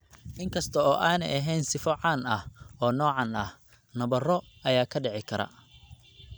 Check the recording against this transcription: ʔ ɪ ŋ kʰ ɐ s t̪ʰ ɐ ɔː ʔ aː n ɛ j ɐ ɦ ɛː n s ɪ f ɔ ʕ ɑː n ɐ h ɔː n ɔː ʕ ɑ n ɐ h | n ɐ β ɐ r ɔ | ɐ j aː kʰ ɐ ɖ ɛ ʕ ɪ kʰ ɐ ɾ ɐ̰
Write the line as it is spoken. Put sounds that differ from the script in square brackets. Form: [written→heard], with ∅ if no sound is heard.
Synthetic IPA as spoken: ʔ ɪ ŋ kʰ ɐ s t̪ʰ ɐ ɔː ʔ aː n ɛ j ɐ ɦ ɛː n s ɪ f ɔ ʕ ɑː n ɐ h ɔː n ɔː ʕ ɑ n ɐ h | n ɐ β ɐ r ɔ | ɐ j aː kʰ ɐ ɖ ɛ ʕ ɪ kʰ ɐ ɾ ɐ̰